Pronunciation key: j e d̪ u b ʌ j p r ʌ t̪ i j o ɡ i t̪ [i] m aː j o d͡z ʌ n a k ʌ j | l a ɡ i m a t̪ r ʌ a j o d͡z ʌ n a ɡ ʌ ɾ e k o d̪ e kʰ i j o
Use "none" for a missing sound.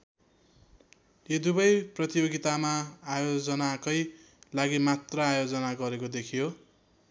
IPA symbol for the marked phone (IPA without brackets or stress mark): a